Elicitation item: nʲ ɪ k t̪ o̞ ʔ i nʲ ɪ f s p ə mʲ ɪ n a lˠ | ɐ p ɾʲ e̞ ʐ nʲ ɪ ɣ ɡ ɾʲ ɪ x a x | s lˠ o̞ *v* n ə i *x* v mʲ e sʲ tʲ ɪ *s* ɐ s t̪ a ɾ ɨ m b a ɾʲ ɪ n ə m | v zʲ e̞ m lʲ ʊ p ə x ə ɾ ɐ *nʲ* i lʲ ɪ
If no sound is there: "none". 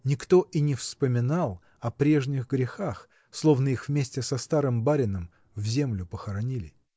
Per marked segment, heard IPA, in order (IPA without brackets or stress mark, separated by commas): v, x, s, nʲ